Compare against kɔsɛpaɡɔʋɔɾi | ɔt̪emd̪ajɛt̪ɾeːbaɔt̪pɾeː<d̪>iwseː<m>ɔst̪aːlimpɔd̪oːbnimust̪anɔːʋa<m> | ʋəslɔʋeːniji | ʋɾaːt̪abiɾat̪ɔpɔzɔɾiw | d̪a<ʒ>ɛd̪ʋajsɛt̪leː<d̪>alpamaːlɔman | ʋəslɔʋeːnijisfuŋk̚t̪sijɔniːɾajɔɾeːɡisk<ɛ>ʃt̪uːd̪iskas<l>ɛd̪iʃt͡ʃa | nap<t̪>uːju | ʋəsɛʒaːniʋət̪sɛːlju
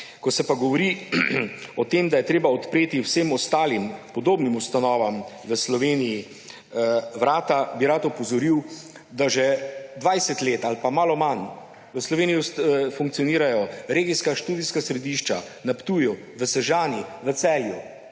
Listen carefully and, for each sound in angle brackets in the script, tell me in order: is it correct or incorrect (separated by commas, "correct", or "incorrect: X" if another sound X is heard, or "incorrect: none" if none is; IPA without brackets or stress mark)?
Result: incorrect: t̪, correct, correct, correct, incorrect: t̪, incorrect: a, incorrect: ɾ, correct